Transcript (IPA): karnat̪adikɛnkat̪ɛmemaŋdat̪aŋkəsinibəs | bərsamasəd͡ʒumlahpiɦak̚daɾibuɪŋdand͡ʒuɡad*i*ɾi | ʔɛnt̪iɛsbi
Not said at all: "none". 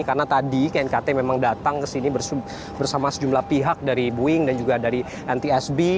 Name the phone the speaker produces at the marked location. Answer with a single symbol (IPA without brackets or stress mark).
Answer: a